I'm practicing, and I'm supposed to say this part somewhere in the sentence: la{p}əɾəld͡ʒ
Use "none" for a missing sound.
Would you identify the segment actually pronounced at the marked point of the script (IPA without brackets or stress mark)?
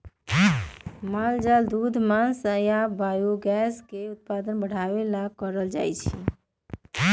k